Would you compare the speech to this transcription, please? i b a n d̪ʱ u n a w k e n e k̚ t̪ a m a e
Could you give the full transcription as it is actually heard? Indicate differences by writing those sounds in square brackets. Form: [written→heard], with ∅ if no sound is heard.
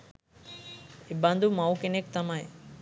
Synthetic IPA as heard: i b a n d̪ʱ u [n→m] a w k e n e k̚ t̪ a m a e